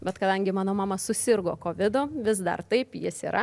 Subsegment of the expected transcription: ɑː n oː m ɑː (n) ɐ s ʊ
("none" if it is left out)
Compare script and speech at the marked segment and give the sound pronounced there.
m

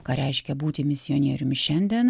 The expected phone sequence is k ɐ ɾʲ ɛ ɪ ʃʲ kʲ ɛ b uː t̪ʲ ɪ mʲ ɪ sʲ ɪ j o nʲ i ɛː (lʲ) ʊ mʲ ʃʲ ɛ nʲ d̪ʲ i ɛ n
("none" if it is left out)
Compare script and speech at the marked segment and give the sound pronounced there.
ɾʲ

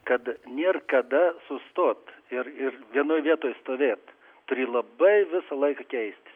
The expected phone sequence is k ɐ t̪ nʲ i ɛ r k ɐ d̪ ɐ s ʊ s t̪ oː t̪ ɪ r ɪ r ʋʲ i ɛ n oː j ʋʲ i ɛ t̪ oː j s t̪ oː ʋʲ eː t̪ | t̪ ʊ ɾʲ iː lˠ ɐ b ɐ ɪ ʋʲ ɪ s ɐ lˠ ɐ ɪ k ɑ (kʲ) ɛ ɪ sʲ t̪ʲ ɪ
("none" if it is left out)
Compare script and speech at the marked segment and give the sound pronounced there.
kʲ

